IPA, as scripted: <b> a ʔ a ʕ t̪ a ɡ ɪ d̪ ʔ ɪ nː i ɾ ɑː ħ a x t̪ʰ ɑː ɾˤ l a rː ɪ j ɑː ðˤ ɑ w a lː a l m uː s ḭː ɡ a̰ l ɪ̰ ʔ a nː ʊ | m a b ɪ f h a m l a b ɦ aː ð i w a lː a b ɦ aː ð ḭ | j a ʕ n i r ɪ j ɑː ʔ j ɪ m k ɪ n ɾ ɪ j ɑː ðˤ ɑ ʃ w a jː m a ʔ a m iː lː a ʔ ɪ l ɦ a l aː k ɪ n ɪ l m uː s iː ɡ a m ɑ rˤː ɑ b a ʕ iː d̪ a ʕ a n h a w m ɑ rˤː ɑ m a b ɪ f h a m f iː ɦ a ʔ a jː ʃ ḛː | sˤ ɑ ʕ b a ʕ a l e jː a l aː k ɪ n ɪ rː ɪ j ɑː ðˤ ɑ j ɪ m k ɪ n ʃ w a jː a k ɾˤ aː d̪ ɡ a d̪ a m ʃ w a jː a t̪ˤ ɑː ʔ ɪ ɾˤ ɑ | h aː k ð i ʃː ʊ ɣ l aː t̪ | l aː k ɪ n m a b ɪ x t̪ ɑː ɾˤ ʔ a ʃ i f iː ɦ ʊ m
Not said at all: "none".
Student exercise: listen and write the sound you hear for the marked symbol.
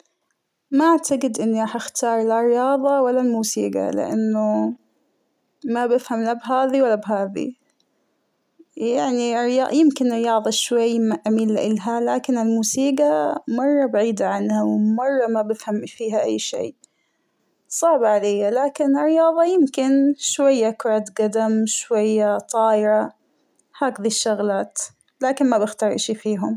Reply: m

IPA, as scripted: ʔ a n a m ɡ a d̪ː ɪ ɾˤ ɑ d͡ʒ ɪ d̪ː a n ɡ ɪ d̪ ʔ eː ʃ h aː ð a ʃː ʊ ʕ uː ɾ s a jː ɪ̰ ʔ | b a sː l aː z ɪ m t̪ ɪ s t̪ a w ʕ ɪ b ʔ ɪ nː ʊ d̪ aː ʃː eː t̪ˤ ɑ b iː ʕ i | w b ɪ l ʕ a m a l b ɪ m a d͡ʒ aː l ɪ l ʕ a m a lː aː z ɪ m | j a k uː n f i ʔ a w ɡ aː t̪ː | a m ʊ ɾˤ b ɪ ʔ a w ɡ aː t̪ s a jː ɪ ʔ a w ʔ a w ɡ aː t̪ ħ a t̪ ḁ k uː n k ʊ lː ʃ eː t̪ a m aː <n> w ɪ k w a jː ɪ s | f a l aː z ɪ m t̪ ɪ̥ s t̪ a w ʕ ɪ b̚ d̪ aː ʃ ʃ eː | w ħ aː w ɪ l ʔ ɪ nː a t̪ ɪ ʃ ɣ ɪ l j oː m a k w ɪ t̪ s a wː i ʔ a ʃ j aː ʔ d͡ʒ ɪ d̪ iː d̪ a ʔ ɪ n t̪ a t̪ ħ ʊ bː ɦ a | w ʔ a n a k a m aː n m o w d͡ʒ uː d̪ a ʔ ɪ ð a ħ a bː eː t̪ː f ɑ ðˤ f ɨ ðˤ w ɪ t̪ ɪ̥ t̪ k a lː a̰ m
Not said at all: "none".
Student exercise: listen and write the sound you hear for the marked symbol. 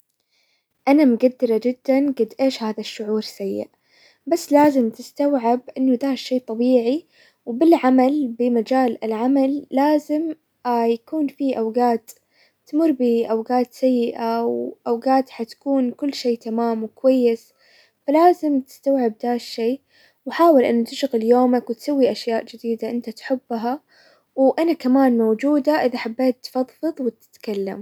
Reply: m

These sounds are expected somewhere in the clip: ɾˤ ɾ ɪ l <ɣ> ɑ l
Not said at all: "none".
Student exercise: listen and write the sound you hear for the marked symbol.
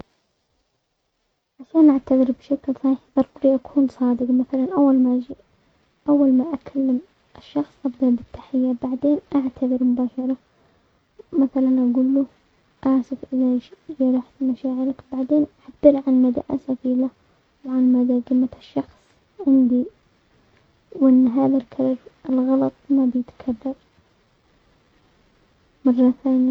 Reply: ɣ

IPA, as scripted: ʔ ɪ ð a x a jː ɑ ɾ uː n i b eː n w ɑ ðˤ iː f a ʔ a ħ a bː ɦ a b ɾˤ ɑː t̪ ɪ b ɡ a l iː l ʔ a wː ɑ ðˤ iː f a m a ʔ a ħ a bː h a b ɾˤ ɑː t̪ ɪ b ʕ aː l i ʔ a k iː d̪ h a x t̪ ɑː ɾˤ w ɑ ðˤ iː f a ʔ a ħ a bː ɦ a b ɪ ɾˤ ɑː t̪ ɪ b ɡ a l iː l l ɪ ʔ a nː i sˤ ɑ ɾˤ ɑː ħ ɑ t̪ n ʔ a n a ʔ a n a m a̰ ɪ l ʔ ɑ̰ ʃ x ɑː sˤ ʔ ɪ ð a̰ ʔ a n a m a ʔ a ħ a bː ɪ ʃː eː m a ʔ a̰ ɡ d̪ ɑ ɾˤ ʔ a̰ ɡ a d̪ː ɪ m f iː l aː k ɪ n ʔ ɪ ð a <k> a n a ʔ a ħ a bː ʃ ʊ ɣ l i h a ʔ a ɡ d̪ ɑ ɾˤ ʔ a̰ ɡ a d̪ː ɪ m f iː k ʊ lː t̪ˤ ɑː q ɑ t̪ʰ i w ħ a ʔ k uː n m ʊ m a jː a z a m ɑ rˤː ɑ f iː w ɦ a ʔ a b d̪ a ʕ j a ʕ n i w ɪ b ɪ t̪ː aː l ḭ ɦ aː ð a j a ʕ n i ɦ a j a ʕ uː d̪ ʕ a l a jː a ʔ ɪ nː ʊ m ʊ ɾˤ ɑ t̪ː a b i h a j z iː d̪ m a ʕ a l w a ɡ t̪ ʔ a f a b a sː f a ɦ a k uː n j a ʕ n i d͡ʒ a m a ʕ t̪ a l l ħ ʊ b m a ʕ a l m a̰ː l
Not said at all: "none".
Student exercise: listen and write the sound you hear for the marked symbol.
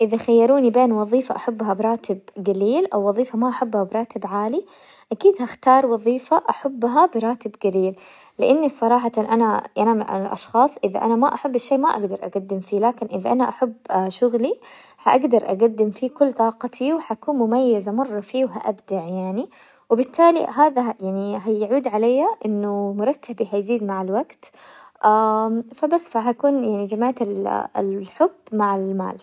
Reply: ʔ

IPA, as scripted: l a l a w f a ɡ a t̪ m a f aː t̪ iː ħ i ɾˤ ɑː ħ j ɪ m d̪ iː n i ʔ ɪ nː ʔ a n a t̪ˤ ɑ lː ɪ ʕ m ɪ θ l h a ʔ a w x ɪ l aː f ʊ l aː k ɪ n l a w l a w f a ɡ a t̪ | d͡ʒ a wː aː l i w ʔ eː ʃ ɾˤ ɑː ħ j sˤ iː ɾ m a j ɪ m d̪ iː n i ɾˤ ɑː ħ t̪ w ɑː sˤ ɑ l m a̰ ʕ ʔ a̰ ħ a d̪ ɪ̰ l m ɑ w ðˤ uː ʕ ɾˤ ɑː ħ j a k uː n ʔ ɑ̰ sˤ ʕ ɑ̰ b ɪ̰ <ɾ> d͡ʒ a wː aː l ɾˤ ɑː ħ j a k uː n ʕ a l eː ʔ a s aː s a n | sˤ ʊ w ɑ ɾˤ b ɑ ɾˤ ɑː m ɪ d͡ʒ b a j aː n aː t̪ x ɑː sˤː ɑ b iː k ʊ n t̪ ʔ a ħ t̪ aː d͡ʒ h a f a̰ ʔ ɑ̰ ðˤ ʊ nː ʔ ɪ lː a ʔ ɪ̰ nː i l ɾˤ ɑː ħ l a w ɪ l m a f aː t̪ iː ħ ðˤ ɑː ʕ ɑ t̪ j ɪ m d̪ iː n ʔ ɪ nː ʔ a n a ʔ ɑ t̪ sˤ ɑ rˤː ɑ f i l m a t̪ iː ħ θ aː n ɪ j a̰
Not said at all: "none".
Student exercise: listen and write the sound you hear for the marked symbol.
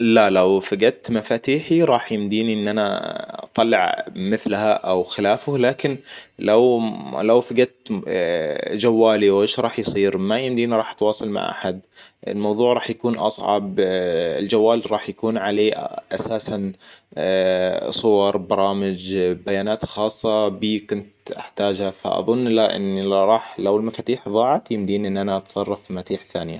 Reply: l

